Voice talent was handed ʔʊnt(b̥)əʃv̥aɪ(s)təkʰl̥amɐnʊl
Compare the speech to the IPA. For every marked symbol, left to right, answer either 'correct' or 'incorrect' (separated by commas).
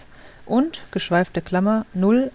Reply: incorrect, incorrect